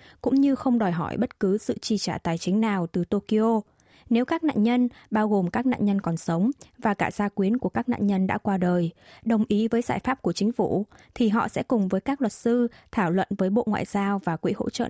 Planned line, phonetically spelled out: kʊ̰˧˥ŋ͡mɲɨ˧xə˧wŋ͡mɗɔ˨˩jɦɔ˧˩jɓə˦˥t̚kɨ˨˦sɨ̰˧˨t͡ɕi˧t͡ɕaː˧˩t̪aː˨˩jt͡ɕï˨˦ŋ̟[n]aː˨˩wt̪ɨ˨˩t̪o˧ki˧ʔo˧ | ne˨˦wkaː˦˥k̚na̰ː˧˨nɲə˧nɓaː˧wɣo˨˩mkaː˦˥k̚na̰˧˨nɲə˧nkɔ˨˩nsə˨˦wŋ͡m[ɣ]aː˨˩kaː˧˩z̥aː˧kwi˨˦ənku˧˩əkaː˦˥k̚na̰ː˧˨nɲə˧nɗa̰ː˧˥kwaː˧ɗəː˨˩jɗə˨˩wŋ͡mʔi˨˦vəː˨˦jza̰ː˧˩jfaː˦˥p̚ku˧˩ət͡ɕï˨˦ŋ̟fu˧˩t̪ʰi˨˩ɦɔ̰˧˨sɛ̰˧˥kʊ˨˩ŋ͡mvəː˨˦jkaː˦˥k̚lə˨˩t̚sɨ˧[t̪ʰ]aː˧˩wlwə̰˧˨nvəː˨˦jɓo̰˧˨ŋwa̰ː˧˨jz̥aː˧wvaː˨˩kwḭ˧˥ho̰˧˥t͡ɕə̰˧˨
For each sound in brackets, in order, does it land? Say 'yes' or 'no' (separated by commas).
yes, no, yes